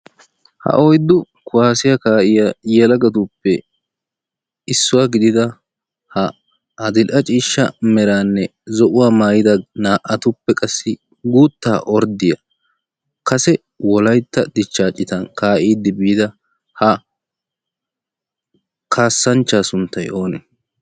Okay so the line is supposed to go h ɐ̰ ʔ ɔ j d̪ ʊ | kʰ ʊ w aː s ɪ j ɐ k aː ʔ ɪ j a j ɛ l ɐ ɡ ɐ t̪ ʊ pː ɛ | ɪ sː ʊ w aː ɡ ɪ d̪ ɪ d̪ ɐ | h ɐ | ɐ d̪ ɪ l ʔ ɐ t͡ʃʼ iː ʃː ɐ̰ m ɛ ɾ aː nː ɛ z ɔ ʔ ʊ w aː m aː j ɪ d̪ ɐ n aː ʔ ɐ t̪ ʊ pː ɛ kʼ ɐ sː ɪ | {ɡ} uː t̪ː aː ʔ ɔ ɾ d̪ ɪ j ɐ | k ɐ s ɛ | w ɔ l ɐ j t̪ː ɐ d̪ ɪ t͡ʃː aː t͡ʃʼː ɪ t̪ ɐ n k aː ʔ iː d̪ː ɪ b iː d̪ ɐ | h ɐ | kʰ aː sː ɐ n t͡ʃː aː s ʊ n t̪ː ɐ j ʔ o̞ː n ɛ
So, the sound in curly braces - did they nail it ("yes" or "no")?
yes